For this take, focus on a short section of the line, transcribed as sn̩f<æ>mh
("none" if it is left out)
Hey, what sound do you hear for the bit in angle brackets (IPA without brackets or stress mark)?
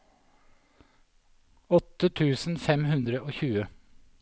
ɛ